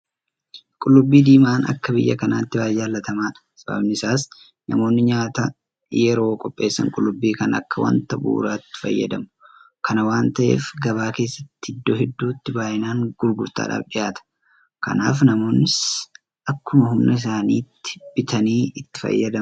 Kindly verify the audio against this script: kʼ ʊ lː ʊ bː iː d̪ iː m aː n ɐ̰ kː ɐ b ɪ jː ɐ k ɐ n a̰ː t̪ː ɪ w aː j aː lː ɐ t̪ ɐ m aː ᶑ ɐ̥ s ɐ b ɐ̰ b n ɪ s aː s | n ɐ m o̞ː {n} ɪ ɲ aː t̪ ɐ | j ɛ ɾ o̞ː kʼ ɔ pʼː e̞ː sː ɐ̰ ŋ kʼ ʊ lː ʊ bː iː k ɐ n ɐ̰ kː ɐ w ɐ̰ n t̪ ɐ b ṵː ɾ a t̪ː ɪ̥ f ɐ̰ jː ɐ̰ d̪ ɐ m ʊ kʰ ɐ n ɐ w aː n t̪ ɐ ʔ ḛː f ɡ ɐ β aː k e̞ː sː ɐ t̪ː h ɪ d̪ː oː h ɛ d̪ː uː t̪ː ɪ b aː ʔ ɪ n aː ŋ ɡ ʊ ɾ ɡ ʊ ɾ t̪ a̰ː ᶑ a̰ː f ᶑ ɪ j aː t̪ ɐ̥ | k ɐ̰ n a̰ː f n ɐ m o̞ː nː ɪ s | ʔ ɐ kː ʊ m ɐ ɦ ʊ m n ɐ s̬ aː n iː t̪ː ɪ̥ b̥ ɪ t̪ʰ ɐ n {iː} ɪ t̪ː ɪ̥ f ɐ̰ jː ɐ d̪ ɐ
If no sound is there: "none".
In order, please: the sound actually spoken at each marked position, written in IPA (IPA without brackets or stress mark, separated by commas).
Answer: nː, iː